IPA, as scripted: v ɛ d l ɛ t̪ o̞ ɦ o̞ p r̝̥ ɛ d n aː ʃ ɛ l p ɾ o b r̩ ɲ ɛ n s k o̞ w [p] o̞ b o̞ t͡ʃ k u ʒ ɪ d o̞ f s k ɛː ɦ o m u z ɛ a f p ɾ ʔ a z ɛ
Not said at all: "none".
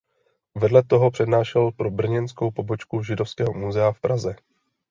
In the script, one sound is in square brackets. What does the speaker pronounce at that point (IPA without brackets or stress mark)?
p